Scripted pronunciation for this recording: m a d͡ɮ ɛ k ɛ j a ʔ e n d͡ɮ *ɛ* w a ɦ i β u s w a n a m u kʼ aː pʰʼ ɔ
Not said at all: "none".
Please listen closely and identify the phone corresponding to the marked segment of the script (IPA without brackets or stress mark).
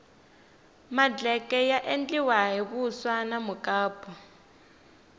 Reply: i